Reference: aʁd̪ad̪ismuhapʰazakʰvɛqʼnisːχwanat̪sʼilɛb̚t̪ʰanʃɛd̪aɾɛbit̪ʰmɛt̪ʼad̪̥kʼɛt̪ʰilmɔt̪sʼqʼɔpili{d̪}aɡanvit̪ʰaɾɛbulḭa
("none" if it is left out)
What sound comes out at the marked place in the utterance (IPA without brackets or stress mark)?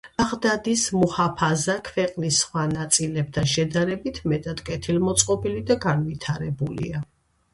d̪